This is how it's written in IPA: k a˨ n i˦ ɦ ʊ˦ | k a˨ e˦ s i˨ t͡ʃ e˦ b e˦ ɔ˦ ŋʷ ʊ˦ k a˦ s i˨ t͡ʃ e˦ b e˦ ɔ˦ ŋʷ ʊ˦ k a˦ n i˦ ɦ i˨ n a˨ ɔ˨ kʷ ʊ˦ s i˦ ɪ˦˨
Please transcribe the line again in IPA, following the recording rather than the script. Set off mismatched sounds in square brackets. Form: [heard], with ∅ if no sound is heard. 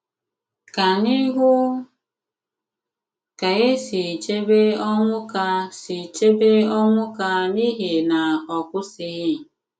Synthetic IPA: k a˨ n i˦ ɦ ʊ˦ | k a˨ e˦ s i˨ t͡ʃ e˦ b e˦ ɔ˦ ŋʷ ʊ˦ k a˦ s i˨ t͡ʃ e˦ b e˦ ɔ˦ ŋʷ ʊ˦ k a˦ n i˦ ɦ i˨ n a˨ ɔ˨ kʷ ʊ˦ s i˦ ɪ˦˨